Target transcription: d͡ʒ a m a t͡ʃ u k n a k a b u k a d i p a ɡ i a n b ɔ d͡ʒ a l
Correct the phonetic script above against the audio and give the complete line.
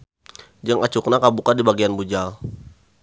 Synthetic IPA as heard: d͡ʒ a ŋ a t͡ʃ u k n a k a b u k a d i b a ɡ i a n b u d͡ʒ a l